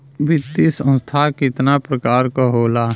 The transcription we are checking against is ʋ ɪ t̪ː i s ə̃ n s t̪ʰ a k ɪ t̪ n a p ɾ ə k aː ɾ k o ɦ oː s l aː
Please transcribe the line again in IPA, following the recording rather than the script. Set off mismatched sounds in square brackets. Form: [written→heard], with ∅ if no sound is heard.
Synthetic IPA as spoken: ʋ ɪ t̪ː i s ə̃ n s t̪ʰ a k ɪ t̪ n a p ɾ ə k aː ɾ k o ɦ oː [s→∅] l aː